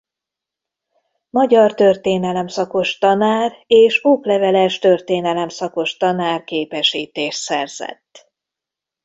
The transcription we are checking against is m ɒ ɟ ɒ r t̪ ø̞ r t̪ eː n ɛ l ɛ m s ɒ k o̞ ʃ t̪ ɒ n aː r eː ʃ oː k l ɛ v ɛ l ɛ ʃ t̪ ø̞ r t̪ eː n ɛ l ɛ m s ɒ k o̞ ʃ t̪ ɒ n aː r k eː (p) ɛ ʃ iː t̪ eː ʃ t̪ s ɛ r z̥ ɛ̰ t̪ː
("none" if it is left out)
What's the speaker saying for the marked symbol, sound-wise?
p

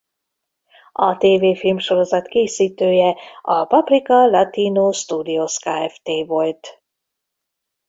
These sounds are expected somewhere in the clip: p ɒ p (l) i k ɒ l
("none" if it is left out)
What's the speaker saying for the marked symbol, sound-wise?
r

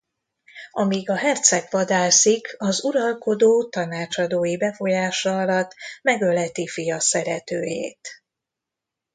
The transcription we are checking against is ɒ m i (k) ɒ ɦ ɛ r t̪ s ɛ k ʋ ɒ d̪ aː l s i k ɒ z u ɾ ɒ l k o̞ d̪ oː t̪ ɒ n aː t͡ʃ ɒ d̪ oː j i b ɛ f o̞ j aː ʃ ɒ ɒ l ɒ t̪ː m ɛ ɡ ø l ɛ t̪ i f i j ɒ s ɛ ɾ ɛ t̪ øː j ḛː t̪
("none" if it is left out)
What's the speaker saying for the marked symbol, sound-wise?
ɡ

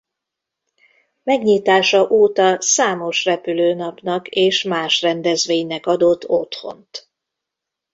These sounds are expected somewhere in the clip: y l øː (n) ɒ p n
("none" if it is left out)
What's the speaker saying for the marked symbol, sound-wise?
n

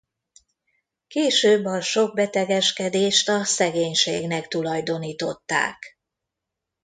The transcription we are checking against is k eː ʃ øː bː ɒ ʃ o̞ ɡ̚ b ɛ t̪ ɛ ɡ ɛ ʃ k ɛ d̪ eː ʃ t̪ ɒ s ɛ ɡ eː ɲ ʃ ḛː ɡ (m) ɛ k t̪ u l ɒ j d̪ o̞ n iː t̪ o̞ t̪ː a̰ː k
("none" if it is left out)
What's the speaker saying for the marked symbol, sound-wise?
n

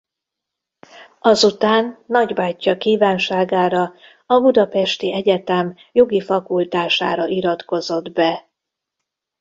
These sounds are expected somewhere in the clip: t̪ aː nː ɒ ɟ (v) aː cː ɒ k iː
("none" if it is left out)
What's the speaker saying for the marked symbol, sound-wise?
b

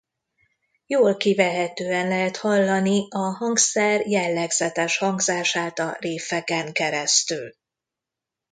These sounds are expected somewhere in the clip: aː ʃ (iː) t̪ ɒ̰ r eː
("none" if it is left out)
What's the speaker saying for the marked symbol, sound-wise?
aː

